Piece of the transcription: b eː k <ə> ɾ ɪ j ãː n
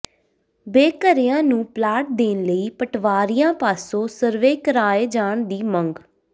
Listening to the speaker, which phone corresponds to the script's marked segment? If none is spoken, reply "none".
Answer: ə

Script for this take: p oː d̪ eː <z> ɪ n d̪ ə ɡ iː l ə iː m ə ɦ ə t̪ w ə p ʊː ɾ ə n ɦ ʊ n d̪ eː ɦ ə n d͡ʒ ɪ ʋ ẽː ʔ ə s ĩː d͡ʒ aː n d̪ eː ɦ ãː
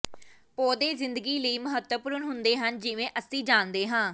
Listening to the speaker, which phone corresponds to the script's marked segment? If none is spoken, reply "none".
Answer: z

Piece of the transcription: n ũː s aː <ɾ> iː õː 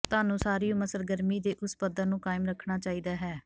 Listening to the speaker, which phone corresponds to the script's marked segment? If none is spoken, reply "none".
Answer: ɾ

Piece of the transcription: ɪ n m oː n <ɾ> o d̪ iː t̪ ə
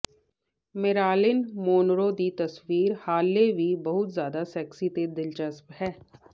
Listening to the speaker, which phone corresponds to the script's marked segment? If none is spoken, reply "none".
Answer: ɾ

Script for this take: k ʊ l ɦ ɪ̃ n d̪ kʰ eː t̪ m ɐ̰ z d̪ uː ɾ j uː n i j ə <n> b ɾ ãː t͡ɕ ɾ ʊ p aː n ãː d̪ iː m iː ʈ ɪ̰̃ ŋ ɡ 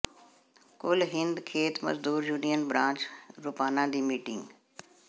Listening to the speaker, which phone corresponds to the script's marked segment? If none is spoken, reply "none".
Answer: n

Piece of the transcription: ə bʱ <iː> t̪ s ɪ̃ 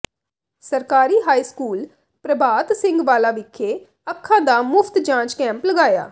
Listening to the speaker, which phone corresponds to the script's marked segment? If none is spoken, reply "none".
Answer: aː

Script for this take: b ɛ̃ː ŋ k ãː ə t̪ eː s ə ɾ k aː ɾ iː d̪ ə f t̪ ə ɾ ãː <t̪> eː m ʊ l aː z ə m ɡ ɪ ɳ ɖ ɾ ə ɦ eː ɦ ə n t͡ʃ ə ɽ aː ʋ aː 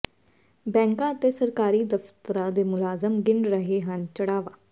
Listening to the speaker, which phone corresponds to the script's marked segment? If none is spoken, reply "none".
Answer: d̪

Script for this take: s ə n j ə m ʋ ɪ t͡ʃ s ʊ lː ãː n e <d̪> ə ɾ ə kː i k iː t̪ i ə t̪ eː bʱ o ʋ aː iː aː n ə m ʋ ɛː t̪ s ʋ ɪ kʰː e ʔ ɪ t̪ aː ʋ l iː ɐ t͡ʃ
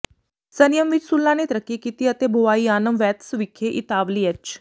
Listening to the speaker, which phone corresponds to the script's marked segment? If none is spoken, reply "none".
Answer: t̪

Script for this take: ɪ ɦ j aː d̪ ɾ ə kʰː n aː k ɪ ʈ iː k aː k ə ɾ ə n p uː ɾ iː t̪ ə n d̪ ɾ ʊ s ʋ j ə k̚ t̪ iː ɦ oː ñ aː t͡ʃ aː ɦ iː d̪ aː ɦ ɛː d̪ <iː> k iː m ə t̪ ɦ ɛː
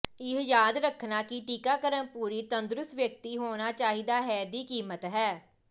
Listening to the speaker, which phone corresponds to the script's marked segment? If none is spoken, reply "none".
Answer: iː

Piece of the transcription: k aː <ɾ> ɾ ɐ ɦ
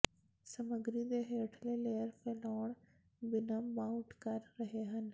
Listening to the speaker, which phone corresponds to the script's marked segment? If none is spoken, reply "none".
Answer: ɾ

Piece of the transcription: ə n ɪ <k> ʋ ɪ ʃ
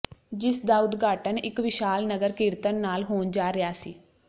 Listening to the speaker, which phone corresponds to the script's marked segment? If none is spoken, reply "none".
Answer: k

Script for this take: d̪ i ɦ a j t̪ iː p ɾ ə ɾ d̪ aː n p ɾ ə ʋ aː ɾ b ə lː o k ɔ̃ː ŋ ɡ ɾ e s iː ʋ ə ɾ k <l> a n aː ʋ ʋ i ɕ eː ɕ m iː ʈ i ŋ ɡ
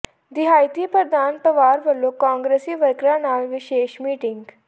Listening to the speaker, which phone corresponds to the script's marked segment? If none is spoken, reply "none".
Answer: ɾ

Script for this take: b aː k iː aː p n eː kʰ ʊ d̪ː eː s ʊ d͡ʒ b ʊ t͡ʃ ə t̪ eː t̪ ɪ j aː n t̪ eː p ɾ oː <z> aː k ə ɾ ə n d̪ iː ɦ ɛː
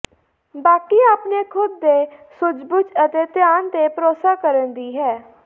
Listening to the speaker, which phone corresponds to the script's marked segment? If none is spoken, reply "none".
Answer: s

